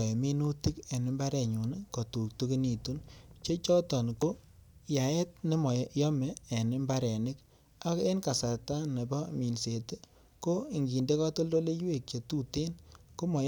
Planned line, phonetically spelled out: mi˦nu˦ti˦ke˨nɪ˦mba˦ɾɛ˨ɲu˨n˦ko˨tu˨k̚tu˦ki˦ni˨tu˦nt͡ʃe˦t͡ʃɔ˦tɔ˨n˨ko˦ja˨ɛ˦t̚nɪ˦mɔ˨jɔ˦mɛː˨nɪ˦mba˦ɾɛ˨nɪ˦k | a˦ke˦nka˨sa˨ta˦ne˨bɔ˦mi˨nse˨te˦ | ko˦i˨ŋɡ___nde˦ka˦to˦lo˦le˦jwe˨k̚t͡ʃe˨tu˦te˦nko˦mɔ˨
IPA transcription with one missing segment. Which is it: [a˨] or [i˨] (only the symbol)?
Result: i˨